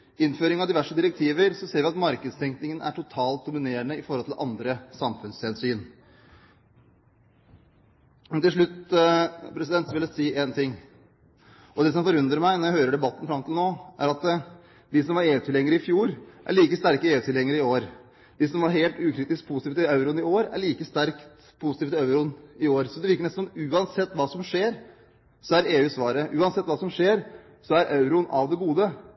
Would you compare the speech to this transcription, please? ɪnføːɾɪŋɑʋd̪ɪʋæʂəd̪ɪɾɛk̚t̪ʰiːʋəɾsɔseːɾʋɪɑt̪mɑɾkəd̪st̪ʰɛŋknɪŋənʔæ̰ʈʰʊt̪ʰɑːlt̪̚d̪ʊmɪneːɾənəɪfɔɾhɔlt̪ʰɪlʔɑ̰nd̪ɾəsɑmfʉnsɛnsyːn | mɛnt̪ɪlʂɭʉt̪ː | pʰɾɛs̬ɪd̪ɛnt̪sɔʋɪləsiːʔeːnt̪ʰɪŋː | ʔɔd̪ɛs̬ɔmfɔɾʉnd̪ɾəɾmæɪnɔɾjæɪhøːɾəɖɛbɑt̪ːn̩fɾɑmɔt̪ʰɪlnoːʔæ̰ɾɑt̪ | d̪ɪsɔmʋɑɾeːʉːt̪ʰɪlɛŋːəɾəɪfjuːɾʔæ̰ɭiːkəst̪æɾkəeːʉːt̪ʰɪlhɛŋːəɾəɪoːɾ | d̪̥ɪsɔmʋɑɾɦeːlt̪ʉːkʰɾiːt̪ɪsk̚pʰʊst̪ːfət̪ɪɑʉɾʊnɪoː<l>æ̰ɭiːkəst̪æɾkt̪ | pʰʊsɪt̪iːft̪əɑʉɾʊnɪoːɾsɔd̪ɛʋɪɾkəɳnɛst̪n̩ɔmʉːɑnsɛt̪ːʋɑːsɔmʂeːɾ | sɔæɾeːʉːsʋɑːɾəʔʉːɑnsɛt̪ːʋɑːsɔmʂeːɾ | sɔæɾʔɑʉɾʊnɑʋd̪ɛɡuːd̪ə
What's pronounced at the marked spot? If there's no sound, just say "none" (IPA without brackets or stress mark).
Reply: ɾ